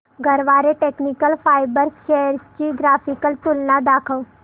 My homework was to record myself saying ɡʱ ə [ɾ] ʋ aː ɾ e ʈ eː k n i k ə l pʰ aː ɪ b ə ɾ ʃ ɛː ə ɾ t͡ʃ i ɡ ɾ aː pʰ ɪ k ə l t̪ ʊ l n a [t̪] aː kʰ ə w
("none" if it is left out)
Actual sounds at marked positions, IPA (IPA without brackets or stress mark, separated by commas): ɾ, d̪